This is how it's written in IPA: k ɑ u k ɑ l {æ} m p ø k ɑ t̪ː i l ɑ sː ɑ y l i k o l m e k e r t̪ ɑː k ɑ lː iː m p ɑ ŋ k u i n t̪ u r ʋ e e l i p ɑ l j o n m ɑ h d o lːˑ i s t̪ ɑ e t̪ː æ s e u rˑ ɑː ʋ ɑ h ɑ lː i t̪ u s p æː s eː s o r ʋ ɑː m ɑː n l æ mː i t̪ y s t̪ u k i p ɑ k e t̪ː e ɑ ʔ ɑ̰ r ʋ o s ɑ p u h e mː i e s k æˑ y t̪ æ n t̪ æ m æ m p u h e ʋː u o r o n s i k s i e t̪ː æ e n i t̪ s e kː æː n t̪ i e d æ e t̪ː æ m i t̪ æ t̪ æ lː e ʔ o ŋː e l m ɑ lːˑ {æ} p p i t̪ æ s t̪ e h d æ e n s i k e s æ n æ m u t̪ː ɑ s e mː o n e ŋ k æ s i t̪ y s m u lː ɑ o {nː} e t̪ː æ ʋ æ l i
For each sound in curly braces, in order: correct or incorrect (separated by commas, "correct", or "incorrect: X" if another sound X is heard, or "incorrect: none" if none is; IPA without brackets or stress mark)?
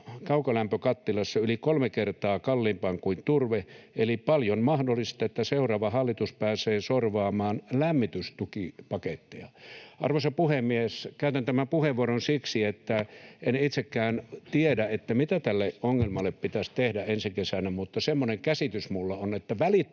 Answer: correct, incorrect: e, incorrect: n